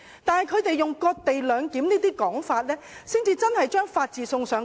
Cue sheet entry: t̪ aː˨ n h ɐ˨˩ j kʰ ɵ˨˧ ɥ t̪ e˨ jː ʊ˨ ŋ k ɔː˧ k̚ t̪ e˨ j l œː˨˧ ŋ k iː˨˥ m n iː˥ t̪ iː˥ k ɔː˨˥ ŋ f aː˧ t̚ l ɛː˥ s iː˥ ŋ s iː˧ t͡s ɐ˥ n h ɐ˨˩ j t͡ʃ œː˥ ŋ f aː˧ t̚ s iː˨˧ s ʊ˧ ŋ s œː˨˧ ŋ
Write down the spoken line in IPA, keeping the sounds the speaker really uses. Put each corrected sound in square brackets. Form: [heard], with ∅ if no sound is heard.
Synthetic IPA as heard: t̪ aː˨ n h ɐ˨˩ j kʰ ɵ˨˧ ɥ t̪ e˨ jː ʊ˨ ŋ k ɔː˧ k̚ t̪ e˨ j l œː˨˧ ŋ k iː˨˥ m n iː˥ t̪ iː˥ k ɔː˨˥ ŋ f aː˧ t̚ l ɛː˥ s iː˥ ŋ [t͡s] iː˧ t͡s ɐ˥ n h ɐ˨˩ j t͡ʃ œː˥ ŋ f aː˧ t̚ [t͡s] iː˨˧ s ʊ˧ ŋ s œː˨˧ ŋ